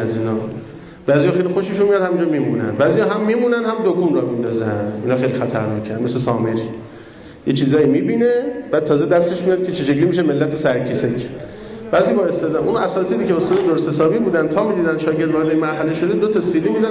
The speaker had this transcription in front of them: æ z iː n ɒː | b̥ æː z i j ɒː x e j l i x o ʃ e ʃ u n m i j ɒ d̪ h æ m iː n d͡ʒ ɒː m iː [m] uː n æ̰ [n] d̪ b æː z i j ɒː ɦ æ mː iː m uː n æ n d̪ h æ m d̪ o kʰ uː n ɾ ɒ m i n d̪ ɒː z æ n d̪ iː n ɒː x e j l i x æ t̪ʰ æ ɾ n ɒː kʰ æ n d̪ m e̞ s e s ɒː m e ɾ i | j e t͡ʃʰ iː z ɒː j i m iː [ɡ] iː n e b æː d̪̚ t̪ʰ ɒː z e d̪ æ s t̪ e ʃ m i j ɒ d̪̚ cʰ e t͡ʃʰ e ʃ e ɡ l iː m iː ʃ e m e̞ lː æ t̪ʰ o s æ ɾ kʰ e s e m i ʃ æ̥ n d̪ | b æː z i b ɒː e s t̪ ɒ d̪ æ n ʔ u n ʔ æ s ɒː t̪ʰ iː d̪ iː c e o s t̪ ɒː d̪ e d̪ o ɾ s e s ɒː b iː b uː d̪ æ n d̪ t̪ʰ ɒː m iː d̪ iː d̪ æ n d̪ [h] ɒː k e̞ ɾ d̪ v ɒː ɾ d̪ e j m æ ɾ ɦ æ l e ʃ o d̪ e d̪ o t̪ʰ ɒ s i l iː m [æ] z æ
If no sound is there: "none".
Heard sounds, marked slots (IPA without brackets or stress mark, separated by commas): m, n, b, ʃ, i